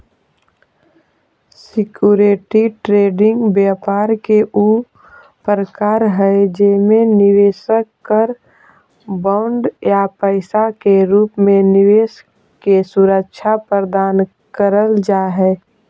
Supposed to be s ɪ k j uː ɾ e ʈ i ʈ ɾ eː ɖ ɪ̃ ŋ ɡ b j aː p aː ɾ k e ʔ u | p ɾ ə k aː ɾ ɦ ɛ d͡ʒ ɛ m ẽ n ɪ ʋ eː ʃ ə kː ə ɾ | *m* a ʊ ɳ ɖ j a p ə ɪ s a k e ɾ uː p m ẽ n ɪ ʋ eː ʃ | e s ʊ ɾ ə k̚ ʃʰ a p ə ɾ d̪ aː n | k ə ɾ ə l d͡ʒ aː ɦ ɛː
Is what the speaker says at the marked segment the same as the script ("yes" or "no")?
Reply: no